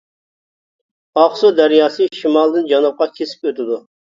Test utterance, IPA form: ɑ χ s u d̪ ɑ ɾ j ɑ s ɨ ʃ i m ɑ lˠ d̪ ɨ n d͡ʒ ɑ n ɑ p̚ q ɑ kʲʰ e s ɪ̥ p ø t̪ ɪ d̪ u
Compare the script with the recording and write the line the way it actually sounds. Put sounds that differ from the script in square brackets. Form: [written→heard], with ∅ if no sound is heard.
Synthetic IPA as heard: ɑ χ s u d̪ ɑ ɾ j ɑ s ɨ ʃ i m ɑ lˠ d̪ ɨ n d͡ʒ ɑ n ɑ p̚ q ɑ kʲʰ e s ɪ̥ p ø t̪ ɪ d̪ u

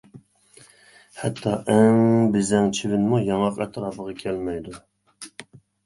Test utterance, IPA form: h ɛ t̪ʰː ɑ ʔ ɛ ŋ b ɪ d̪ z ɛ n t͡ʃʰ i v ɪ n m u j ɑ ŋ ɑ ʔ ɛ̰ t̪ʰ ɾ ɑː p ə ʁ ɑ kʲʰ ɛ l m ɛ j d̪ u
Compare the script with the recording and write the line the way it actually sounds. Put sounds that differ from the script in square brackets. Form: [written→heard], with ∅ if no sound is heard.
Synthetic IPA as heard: h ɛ t̪ʰː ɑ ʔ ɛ ŋ b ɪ [d̪→∅] z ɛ [n→ŋ] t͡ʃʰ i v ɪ n m u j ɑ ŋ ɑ [ʔ→q] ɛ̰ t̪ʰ ɾ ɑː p ə ʁ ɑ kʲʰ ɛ l m ɛ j d̪ u

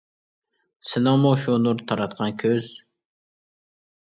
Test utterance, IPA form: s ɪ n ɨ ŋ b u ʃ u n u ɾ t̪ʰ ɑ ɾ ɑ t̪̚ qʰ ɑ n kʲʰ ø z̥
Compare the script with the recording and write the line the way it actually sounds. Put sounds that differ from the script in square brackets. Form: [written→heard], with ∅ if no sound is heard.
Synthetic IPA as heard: s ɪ n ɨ ŋ [b→m] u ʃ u n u ɾ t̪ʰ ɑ ɾ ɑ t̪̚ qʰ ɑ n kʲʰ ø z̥

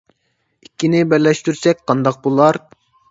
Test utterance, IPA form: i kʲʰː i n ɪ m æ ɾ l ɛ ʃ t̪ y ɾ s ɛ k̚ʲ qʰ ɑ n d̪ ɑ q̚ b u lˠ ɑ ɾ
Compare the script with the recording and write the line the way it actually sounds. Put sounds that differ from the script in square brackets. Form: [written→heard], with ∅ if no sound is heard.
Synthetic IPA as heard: i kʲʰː i n ɪ [m→b] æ ɾ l ɛ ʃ t̪ y ɾ s ɛ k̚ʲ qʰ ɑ n d̪ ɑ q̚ b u lˠ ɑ ɾ

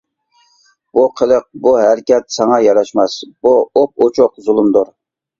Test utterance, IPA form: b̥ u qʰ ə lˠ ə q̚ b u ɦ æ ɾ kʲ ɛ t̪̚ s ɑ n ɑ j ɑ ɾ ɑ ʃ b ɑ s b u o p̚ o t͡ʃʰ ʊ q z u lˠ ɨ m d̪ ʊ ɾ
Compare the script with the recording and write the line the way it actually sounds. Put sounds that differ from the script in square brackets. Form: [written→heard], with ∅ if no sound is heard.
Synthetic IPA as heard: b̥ u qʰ ə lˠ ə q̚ b u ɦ æ ɾ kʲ ɛ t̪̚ s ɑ [n→ŋ] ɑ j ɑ ɾ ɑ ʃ [b→m] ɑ s b u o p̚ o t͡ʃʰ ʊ q z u lˠ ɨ m d̪ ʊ ɾ

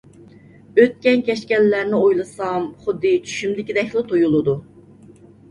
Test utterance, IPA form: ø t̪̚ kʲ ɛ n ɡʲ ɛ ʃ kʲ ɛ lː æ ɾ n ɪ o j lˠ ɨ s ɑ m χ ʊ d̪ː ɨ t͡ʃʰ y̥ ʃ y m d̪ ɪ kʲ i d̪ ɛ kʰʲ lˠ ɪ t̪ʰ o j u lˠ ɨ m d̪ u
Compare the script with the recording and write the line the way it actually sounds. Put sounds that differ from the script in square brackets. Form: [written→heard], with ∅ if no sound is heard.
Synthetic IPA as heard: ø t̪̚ kʲ ɛ n [ɡʲ→kʲ] ɛ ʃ kʲ ɛ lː æ ɾ n ɪ o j lˠ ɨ s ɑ m χ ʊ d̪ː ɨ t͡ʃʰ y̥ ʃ y m d̪ ɪ kʲ i d̪ ɛ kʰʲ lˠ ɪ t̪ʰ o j u lˠ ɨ [m→∅] d̪ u

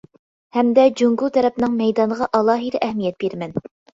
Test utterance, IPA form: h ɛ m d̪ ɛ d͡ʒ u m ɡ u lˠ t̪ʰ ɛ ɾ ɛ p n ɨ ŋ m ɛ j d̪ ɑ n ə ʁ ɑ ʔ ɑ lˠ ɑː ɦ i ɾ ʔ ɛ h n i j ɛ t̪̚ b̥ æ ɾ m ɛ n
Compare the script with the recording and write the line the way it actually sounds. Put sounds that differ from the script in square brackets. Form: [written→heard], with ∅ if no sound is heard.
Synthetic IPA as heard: h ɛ m d̪ ɛ d͡ʒ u [m→ŋ] ɡ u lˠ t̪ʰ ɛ ɾ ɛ p n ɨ ŋ m ɛ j d̪ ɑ n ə ʁ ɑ ʔ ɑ lˠ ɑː ɦ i ɾ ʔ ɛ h [n→m] i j ɛ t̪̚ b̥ [æ→e] ɾ m ɛ n

